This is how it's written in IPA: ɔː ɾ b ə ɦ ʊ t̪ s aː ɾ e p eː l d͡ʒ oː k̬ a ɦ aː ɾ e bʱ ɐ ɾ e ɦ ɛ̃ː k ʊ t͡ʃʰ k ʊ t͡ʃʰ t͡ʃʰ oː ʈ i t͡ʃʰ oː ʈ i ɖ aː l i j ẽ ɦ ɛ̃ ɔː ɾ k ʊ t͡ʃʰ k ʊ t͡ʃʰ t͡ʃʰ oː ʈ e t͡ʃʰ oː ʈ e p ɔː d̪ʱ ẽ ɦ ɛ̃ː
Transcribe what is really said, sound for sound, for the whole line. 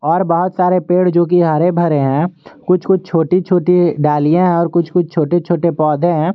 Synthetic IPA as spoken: ɔː ɾ b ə ɦ ʊ t̪ s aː ɾ e p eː ɽ d͡ʒ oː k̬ i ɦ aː ɾ e bʱ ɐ ɾ e ɦ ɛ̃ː k ʊ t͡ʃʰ k ʊ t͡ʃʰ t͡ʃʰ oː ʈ i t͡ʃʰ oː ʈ i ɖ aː l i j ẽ ɦ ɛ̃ ɔː ɾ k ʊ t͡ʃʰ k ʊ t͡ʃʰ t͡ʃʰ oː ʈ e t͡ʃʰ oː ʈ e p ɔː d̪ʱ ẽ ɦ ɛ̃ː